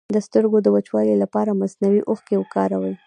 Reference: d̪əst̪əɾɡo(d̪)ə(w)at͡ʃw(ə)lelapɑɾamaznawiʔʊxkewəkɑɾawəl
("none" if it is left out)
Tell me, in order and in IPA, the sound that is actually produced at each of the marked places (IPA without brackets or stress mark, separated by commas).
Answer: d̪, w, ɑ